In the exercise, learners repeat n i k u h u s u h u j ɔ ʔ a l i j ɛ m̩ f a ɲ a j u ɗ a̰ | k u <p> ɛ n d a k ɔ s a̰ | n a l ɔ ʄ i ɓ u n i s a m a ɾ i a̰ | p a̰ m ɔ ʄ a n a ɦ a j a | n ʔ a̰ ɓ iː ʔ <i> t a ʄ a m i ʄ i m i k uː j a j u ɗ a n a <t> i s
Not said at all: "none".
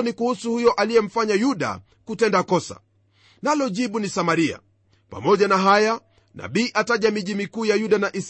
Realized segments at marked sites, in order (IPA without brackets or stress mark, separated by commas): t, a, ʔ